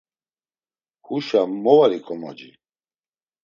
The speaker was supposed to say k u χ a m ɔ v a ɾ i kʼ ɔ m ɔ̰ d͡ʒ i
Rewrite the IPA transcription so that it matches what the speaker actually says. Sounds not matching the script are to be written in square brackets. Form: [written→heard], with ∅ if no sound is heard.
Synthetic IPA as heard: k u [χ→ʃ] a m ɔ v a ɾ i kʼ ɔ m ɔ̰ d͡ʒ i